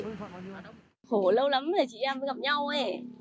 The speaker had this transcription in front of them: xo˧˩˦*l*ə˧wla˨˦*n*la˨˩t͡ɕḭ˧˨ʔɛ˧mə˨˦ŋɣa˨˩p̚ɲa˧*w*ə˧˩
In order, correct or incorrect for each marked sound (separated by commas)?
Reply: correct, incorrect, correct